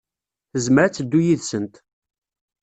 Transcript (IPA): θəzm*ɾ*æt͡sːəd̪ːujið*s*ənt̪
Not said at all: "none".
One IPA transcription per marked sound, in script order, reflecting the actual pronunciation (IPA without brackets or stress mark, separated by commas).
ɾ, s